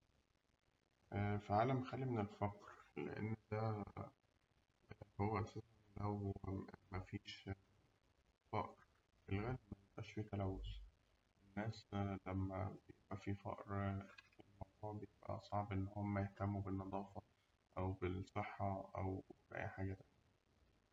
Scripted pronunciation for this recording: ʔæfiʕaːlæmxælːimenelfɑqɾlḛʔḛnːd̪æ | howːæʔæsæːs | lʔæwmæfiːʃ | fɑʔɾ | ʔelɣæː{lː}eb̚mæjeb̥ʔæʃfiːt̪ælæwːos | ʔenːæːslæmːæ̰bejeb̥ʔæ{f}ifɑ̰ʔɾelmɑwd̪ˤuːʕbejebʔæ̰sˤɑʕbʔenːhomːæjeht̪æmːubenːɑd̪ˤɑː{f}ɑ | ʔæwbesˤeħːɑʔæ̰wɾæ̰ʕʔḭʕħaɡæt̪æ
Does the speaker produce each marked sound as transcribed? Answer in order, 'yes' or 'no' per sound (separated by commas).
no, yes, yes